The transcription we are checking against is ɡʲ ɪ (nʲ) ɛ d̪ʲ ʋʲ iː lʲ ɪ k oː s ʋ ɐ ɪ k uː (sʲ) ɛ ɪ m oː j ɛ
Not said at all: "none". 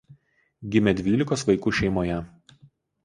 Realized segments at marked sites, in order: mʲ, ʃʲ

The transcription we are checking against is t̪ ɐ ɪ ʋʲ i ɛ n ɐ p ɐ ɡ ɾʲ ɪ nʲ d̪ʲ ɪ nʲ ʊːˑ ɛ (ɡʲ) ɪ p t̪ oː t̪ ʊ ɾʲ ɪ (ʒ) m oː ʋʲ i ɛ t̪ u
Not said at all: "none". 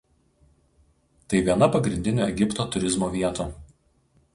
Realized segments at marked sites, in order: ɡʲ, z

